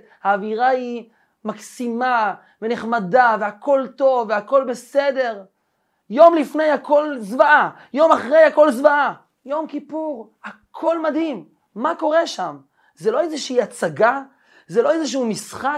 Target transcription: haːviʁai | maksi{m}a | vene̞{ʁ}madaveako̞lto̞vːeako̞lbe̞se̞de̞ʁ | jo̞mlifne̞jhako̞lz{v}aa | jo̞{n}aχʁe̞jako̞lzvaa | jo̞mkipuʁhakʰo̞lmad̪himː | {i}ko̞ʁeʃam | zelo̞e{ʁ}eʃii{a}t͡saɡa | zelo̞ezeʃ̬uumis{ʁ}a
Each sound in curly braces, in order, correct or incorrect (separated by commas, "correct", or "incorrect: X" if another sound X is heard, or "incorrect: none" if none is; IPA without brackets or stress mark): correct, incorrect: χ, correct, incorrect: m, incorrect: a, incorrect: z, correct, incorrect: χ